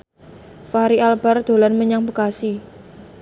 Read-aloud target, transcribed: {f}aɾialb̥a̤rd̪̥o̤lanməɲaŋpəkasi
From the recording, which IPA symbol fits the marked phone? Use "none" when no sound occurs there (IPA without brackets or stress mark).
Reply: f